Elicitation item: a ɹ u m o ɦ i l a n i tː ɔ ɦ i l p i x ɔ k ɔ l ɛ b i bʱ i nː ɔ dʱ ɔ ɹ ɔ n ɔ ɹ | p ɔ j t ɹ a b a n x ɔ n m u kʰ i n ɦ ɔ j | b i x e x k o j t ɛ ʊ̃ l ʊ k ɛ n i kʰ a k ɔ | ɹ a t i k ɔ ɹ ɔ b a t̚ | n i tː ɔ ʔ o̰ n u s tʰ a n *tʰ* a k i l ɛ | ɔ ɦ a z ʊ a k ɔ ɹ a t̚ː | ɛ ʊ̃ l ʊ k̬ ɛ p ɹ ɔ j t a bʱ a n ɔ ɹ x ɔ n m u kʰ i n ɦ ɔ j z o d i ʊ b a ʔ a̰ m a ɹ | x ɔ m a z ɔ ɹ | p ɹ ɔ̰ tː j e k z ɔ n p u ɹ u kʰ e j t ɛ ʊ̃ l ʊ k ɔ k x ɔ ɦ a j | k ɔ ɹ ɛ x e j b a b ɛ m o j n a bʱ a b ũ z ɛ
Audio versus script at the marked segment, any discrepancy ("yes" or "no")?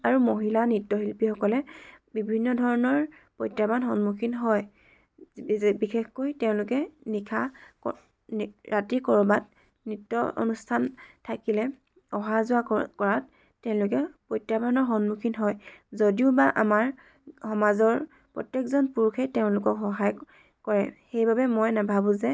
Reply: no